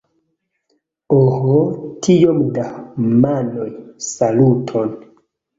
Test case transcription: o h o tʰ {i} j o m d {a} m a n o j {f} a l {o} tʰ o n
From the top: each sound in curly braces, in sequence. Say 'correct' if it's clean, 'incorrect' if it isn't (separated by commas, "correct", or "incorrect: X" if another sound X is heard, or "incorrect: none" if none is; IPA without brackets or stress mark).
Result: correct, correct, incorrect: s, incorrect: u